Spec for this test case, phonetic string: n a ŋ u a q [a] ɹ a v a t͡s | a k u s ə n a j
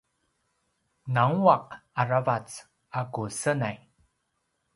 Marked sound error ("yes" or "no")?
no